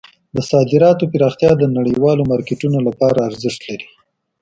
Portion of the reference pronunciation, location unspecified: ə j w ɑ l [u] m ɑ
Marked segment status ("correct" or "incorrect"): incorrect